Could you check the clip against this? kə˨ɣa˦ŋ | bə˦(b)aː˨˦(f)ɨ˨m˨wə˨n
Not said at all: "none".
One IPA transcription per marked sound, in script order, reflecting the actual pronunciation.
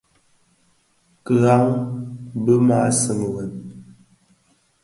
m, s

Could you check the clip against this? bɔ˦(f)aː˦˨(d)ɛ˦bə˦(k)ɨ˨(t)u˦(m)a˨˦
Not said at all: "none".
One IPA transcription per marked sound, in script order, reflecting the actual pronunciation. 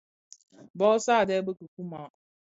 s, d, k, k, m

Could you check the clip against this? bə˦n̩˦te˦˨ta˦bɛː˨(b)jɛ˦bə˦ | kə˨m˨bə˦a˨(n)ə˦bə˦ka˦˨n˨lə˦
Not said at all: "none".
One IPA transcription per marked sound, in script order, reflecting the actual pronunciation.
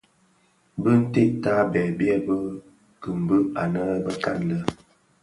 b, n

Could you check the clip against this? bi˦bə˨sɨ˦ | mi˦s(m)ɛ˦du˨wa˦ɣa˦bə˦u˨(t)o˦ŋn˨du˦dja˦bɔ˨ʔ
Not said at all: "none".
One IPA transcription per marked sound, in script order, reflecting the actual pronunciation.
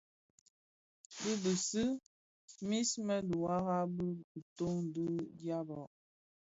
m, t

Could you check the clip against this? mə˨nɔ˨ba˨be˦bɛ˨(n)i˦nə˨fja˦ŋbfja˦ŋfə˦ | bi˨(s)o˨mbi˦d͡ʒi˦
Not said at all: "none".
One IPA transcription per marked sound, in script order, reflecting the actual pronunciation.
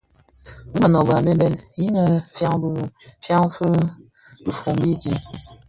n, f

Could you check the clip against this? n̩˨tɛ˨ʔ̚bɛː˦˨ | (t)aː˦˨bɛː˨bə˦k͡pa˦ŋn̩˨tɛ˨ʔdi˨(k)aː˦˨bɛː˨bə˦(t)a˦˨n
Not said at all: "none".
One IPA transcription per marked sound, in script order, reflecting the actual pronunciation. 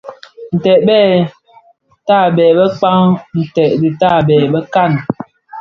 t, t, k

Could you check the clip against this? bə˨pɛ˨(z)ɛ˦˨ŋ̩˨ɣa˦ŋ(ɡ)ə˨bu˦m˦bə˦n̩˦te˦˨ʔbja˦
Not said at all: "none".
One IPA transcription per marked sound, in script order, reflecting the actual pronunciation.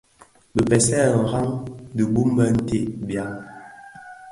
s, d

